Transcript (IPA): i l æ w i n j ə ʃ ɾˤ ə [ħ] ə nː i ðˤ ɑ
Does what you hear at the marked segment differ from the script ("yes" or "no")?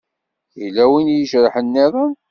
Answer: no